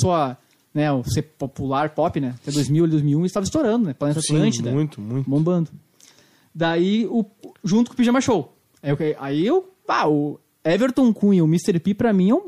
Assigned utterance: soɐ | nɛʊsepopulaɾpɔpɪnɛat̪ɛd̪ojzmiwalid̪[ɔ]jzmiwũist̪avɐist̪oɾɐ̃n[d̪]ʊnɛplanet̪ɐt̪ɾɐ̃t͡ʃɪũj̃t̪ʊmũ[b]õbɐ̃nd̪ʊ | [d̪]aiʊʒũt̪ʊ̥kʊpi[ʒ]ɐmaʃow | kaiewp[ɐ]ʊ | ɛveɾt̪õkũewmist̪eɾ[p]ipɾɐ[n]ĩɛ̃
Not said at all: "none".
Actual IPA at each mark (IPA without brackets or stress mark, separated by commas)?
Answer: o, d̪, b, d̪, ʒ, a, p, m